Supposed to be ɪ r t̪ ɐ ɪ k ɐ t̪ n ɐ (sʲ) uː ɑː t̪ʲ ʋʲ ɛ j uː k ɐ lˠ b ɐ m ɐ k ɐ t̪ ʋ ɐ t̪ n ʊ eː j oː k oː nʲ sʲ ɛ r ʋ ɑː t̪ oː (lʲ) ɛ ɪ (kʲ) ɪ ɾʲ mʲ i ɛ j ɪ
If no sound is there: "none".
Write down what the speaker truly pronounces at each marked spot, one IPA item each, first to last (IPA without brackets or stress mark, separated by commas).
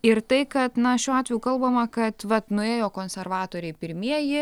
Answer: ʃʲ, ɾʲ, pʲ